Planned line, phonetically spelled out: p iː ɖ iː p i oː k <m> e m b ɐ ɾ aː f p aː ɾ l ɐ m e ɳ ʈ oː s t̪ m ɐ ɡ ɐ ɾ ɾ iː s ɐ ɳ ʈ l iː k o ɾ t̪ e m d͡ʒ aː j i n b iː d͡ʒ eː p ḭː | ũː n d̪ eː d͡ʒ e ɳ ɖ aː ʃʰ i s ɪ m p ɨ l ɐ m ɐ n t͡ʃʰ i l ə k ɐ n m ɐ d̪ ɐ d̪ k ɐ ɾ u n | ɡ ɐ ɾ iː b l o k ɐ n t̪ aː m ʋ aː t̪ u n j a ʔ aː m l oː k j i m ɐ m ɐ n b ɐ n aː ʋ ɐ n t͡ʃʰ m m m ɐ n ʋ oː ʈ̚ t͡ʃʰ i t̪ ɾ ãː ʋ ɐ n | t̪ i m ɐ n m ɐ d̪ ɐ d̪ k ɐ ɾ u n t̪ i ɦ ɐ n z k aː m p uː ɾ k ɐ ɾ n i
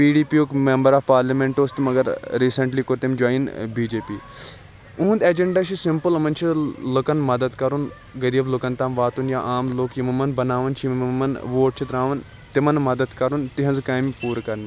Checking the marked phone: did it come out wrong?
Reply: no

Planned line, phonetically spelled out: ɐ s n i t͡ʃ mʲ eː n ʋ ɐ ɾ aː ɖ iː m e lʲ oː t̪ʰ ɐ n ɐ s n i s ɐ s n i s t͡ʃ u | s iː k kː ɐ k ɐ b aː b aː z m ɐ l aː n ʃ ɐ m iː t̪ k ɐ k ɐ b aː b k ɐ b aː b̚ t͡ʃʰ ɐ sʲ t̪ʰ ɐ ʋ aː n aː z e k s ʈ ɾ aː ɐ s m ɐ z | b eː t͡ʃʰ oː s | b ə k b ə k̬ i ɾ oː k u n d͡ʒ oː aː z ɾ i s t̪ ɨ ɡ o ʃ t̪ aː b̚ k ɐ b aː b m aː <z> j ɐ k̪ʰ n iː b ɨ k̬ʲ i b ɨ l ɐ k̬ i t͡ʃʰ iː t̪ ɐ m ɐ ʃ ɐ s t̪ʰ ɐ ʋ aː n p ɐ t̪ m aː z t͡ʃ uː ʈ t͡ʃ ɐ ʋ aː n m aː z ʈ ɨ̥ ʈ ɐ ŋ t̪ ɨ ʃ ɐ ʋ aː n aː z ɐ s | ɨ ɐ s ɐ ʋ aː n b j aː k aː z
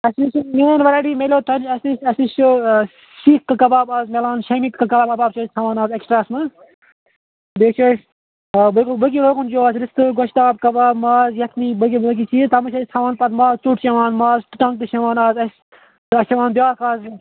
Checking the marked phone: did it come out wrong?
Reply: no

